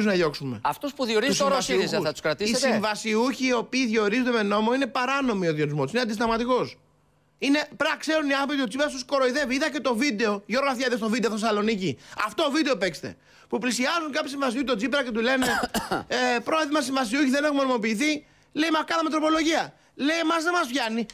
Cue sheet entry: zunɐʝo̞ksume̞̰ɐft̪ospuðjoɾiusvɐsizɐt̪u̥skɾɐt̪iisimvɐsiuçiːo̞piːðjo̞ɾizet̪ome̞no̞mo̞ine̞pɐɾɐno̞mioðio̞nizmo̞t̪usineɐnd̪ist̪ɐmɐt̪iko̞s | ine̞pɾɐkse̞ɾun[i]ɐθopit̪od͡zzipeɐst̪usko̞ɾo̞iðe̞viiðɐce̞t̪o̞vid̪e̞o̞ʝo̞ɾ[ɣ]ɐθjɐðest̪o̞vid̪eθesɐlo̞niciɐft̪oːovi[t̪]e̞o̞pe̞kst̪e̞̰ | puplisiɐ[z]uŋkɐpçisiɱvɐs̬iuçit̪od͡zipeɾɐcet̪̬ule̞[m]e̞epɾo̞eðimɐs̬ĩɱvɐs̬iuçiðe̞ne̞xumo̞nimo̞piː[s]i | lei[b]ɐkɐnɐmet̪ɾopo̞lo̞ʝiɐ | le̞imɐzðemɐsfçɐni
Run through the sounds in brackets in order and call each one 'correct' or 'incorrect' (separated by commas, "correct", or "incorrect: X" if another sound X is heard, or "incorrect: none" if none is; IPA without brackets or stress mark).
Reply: correct, correct, incorrect: d̪, correct, incorrect: n, incorrect: θ, incorrect: m